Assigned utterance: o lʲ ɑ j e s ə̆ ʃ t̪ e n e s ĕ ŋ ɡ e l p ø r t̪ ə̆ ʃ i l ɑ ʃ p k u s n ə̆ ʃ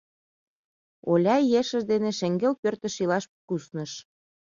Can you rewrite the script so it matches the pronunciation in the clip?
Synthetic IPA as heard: o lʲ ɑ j e ʃ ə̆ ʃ d̪ e n e ʃ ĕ ŋ ɡ e l p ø r t̪ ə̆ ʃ i l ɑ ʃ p k u s n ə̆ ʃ

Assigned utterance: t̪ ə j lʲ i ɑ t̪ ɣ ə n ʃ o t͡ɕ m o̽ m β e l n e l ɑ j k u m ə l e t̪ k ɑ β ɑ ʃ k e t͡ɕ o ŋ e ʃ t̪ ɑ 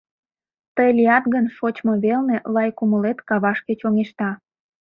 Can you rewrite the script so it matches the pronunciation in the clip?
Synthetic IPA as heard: t̪ ə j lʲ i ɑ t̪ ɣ ə n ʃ o t͡ɕ m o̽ β e l n e l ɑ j k u m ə l e t̪ k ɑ β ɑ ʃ k e t͡ɕ o ŋ e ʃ t̪ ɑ

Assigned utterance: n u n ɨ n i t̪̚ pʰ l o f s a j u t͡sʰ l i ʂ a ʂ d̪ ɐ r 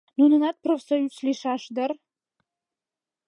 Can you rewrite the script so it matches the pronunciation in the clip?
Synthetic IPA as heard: n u n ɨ n a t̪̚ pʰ r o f s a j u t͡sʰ l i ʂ a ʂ d̪ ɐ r

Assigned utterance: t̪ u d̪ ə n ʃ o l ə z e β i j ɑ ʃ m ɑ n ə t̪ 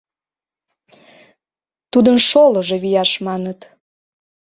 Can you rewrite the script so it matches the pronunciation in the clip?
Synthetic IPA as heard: t̪ u d̪ ə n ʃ o l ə ʒ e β i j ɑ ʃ m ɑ n ə t̪

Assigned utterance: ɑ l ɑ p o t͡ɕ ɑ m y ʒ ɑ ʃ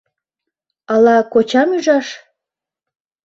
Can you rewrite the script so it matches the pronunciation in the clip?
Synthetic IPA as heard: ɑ l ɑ k o t͡ɕ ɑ m y ʒ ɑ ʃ

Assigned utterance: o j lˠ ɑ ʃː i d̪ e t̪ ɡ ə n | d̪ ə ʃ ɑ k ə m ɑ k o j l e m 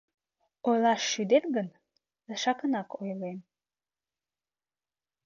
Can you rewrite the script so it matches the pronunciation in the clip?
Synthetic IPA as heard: o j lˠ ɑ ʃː y d̪ e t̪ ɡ ə n | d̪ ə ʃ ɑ k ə n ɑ k o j l e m

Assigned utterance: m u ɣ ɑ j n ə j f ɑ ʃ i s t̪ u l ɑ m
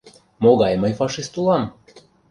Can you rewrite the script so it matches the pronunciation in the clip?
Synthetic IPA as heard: m o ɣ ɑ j m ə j f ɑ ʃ i s t̪ u l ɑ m

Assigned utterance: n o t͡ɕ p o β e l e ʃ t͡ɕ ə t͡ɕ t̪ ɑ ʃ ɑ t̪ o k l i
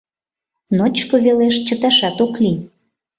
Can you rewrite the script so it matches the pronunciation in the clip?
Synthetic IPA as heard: n o t͡ɕ k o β e l e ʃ t͡ɕ ə t̪ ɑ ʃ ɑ t̪ o k l i

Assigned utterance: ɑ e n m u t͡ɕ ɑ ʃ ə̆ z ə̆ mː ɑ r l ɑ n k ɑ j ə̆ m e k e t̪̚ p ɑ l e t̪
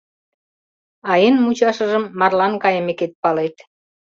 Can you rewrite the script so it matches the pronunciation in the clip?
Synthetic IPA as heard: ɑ e n m u t͡ɕ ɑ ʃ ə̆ ʒ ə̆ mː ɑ r l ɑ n k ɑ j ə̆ m e k e t̪̚ p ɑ l e t̪

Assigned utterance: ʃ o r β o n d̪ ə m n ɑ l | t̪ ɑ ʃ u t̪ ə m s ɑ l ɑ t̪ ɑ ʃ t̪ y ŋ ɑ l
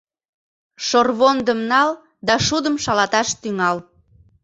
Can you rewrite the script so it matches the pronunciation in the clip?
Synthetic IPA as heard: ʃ o r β o n d̪ ə m n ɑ l | d̪ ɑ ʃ u d̪ ə m ʃ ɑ l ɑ t̪ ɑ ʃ t̪ y ŋ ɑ l

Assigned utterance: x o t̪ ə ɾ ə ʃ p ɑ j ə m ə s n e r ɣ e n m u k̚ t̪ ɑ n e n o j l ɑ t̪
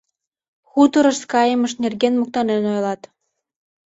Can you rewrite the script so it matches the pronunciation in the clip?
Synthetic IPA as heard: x u t̪ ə ɾ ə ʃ k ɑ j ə m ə ʃ n e r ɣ e n m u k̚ t̪ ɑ n e n o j l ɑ t̪

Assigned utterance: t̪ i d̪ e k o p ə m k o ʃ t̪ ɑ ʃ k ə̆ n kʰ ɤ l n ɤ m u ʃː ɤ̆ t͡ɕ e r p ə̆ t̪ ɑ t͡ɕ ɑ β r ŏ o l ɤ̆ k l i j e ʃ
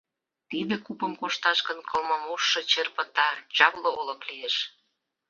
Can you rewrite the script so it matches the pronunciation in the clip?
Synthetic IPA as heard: t̪ i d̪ e k u p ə m k o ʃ t̪ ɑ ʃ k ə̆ n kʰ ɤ l m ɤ m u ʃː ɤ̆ t͡ɕ e r p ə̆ t̪ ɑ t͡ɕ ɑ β l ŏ o l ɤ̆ k l i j e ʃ

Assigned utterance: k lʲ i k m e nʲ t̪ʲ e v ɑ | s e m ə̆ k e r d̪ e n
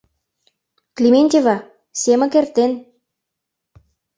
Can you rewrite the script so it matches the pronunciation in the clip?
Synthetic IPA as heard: k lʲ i m e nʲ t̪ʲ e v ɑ | s e m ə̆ k e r t̪ e n

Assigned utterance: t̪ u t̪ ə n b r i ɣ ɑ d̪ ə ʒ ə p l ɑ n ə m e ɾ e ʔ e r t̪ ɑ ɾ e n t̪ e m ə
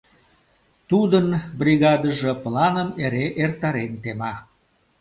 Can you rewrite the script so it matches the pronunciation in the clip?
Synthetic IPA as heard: t̪ u d̪ ə n b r i ɣ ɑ d̪ ə ʒ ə p l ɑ n ə m e ɾ e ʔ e r t̪ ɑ ɾ e n t̪ e m ɑ

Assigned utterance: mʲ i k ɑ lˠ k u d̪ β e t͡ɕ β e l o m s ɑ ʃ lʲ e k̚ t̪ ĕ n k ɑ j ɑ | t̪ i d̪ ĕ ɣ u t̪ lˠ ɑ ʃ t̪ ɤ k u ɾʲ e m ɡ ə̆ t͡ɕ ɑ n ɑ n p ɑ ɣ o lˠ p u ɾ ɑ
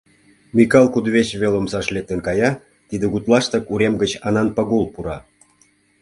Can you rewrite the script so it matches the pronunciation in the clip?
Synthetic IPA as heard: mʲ i k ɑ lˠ k u d̪ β e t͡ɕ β e l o m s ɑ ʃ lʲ e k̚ t̪ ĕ n k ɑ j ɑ | t̪ i d̪ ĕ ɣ u t̪ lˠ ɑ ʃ t̪ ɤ k u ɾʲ e m ɡ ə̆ t͡ɕ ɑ n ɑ n p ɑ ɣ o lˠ p u ɾ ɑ

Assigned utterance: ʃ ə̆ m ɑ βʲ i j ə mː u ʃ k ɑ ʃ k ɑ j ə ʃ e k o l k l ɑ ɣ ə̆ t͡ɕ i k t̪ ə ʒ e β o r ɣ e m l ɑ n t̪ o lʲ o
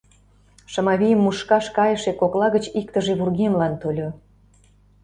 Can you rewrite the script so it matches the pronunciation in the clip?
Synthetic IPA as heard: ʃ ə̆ m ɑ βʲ i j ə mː u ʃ k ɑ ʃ k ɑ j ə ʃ e k o k l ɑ ɣ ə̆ t͡ɕ i k t̪ ə ʒ e β u r ɣ e m l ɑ n t̪ o lʲ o

